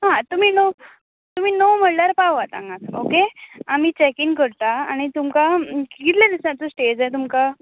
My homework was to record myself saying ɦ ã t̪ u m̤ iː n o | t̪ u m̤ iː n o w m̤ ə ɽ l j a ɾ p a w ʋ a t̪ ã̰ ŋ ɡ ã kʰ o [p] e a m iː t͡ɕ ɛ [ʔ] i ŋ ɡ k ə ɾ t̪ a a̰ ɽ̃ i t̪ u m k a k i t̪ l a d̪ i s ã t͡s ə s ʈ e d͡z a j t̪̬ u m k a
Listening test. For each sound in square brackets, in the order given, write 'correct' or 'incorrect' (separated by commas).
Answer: incorrect, incorrect